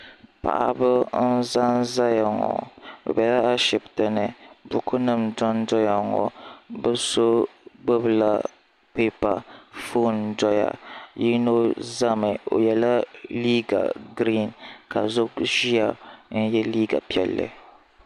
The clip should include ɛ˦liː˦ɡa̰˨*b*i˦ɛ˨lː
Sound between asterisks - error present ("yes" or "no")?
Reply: yes